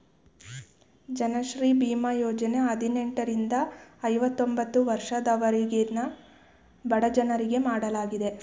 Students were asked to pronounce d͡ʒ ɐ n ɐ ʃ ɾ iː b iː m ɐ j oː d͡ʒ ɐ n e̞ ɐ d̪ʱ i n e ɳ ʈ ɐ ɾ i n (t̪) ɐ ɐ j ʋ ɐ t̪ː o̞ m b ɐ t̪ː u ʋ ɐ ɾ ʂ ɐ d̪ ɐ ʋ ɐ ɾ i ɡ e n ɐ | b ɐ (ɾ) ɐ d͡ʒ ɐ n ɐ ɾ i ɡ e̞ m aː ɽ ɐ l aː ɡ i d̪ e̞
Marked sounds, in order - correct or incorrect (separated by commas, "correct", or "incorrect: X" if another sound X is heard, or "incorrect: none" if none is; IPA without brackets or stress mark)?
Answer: incorrect: d̪, incorrect: ɽ